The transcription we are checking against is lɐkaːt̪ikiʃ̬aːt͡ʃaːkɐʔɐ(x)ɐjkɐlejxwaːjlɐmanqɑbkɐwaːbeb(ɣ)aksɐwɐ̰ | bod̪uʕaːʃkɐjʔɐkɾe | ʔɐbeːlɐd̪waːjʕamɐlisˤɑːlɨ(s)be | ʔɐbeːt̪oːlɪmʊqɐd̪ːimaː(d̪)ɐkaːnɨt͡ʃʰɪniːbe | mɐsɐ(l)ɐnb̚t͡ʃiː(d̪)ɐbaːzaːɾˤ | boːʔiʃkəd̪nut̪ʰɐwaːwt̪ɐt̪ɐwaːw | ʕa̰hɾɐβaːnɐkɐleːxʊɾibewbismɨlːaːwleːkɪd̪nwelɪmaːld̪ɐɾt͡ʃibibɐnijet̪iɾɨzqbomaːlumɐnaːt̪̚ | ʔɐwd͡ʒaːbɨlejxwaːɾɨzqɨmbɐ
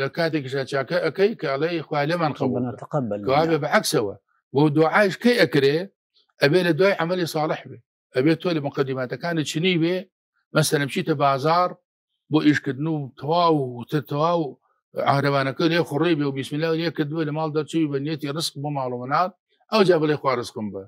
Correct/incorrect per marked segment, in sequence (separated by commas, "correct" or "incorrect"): incorrect, incorrect, incorrect, incorrect, correct, incorrect